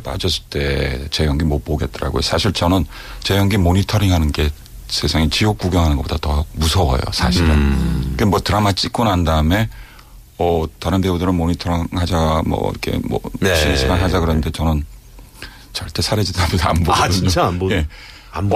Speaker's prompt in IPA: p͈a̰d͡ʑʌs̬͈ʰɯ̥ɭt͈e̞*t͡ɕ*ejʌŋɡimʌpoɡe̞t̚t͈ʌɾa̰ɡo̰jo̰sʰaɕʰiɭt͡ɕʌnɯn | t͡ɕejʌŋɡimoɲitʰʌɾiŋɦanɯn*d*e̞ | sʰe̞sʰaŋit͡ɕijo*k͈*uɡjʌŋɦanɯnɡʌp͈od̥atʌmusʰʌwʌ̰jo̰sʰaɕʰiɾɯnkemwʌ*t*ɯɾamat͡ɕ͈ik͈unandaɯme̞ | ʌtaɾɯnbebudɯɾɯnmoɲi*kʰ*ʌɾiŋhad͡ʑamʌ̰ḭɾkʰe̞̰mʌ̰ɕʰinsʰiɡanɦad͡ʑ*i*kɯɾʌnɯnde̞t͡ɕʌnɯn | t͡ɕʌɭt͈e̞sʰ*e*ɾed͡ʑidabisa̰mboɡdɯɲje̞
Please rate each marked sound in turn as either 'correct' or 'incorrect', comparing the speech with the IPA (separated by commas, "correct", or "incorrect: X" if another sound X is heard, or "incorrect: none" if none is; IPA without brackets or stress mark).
correct, incorrect: ɡ, correct, correct, incorrect: tʰ, incorrect: a, incorrect: a